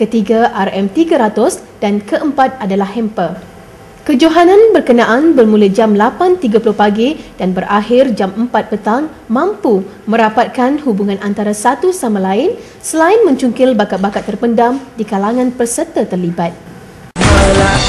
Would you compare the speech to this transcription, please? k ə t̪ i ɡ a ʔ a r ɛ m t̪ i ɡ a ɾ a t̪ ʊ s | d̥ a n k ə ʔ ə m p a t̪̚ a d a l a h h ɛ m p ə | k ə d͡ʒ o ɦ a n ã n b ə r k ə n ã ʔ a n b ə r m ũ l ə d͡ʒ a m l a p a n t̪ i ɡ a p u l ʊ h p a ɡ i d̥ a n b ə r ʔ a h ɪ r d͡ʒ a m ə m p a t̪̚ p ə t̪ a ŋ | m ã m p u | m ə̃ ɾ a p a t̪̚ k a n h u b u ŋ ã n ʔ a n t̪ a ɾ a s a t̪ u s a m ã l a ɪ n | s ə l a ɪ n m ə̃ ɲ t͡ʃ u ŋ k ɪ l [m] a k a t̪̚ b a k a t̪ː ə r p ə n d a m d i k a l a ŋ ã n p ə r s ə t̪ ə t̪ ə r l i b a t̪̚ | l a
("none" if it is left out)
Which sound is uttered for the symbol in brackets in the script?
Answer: b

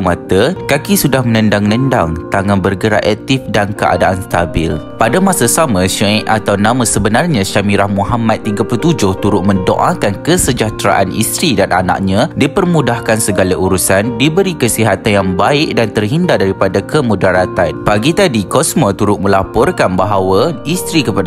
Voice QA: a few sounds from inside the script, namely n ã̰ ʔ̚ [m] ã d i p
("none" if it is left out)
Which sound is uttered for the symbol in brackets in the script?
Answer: ɲ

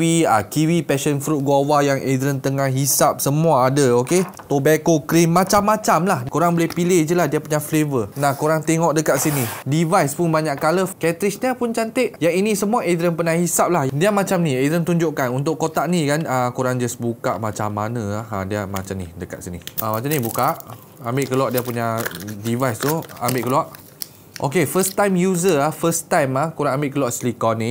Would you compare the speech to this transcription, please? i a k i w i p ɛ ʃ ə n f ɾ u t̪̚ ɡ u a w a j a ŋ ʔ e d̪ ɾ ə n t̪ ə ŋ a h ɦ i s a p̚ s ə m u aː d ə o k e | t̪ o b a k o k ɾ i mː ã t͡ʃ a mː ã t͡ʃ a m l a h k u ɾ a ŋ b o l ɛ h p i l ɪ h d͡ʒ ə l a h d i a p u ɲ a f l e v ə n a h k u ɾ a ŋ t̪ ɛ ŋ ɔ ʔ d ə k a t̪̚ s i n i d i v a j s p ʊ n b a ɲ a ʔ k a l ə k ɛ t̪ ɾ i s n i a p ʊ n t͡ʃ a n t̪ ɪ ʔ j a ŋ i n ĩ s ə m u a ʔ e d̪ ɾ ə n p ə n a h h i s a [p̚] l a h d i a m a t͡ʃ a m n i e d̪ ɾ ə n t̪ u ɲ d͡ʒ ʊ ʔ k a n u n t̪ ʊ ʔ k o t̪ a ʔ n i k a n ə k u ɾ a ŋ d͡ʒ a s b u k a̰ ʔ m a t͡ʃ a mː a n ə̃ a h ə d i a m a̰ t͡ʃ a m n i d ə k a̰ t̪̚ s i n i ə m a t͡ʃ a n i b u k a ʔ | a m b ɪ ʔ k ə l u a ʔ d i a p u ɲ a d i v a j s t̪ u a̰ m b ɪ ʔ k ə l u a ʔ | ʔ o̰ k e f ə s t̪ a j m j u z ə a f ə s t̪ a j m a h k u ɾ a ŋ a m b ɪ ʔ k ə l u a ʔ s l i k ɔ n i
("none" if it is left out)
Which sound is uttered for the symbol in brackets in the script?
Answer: p̚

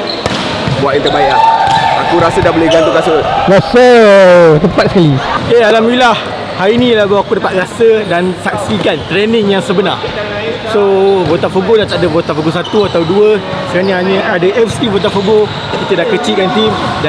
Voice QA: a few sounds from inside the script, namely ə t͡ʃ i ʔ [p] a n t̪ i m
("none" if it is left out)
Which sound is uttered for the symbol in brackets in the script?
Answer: k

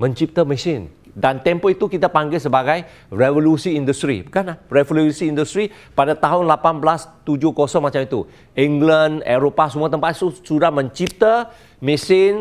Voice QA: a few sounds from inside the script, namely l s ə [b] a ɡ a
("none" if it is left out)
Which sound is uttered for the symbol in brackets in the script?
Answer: b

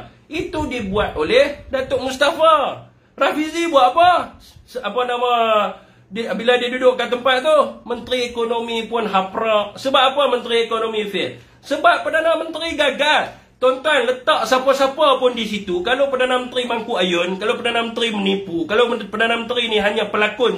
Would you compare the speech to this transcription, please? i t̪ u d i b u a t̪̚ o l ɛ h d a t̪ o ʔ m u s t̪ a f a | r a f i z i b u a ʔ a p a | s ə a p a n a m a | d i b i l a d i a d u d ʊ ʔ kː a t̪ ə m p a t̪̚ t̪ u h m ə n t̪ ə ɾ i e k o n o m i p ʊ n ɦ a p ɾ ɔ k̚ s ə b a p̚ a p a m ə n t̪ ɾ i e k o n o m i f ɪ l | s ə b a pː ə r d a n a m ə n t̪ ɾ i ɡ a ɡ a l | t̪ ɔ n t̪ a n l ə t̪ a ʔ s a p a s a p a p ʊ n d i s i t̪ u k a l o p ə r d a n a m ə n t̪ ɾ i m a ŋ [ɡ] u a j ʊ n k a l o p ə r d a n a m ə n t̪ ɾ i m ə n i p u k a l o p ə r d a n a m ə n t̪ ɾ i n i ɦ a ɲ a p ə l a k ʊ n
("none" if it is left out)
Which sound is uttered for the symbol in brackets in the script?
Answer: k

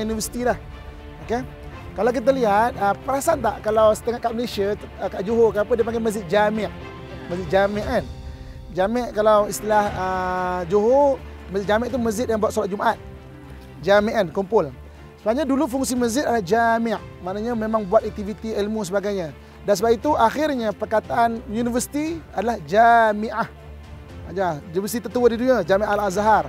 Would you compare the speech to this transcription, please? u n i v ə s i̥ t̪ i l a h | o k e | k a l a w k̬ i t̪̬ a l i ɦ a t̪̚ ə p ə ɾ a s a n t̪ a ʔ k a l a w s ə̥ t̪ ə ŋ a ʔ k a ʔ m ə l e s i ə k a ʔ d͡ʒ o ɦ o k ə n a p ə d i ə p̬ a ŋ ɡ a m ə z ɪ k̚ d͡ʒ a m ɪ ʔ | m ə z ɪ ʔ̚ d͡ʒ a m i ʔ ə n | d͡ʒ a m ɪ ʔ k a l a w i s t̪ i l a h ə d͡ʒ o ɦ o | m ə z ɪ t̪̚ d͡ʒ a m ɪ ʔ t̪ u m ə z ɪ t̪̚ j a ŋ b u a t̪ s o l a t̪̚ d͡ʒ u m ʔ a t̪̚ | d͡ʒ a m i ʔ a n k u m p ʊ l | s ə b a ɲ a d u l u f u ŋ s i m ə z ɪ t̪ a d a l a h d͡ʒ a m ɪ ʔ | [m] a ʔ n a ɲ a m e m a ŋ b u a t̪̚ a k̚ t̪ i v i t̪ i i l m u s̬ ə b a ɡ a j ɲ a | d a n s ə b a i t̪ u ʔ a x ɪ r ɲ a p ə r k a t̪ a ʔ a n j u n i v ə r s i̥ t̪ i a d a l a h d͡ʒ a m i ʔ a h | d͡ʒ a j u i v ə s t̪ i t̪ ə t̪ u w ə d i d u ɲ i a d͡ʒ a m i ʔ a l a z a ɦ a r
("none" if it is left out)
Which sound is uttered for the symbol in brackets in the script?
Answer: m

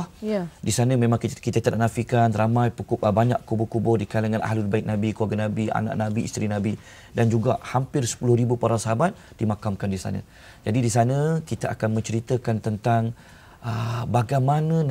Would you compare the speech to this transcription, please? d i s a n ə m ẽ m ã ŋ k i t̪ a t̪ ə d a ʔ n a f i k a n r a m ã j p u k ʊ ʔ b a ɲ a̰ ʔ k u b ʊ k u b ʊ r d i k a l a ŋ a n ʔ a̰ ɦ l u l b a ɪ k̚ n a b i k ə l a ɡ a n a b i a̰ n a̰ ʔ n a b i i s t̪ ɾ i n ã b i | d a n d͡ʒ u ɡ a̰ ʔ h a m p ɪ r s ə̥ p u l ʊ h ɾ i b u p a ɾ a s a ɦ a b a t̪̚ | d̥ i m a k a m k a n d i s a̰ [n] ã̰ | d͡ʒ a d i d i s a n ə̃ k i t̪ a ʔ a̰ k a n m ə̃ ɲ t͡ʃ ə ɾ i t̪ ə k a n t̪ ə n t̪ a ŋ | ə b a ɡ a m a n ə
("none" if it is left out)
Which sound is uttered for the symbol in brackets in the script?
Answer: n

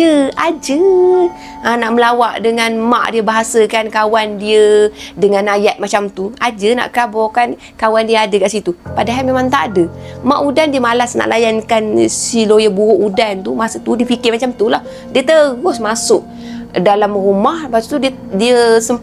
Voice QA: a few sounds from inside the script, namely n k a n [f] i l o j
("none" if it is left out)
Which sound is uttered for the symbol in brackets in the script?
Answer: s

